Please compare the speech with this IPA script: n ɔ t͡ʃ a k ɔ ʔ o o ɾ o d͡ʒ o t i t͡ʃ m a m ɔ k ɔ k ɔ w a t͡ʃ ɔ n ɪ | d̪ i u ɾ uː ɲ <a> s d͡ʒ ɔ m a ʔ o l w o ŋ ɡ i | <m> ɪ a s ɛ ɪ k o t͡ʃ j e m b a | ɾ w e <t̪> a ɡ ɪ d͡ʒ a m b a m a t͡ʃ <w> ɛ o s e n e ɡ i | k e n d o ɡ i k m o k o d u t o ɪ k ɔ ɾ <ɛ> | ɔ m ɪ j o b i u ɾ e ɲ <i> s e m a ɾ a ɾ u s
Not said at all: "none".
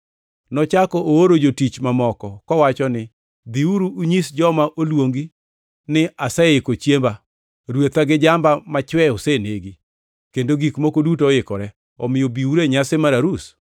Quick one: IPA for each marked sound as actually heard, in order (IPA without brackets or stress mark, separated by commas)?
i, n, t̪, w, ɛ, a